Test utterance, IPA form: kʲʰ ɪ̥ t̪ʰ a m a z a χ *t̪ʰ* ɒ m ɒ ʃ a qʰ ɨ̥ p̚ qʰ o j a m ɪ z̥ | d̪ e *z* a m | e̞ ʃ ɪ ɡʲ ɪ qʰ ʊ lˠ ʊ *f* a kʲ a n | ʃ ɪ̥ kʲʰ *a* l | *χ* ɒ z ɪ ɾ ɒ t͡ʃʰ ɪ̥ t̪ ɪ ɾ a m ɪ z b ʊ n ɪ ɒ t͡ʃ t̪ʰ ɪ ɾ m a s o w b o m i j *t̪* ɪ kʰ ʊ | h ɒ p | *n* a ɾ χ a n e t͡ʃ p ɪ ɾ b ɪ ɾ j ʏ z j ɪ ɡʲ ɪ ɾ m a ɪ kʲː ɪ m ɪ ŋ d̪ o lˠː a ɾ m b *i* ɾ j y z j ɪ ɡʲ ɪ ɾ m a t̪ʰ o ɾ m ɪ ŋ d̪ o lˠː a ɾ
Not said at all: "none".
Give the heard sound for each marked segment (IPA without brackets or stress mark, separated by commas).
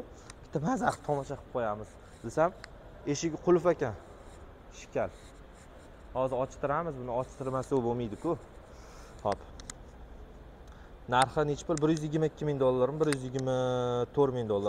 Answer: t̪ʰ, s, f, a, h, d̪, n, ɪ